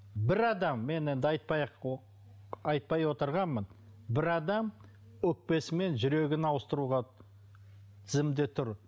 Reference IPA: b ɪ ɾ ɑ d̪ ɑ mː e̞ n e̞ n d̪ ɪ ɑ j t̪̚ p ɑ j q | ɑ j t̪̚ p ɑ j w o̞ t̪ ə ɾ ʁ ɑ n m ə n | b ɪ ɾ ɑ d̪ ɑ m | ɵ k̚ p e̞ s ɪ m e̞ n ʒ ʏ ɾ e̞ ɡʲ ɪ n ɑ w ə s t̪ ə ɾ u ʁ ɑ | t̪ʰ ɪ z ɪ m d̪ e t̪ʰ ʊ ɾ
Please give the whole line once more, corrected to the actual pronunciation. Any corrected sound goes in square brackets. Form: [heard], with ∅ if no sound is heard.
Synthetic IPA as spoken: b ɪ ɾ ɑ d̪ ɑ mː e̞ n e̞ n d̪ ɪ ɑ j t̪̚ p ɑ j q | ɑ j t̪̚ p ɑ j w o̞ t̪ ə ɾ ʁ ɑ n m ə n | b ɪ ɾ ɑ d̪ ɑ m | ɵ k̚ p e̞ s ɪ m e̞ n ʒ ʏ ɾ e̞ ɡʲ ɪ n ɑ w ə s t̪ ə ɾ u ʁ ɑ | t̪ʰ ɪ z ɪ m d̪ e t̪ʰ ʊ ɾ